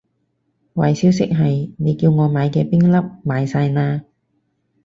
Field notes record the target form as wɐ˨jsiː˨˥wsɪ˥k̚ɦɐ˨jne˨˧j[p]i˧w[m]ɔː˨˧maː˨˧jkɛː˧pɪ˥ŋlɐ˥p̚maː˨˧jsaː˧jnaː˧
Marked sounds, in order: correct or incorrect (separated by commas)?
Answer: incorrect, incorrect